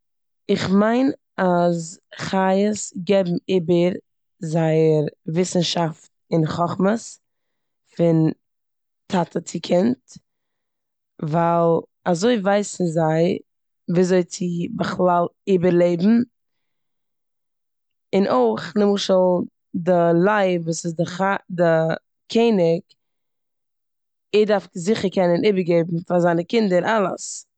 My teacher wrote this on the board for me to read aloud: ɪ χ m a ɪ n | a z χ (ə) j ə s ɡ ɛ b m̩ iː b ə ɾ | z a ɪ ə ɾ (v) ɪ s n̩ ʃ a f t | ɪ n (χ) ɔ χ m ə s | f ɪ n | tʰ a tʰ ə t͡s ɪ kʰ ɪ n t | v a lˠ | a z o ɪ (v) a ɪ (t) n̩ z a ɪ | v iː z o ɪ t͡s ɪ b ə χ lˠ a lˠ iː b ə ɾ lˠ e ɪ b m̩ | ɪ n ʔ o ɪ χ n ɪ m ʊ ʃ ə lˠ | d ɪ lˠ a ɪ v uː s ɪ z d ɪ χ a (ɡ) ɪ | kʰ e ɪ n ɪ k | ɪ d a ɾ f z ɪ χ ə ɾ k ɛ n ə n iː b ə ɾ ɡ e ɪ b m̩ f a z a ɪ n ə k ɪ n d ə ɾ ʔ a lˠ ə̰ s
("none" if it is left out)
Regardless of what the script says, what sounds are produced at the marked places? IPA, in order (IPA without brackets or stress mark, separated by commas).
a, v, χ, v, s, d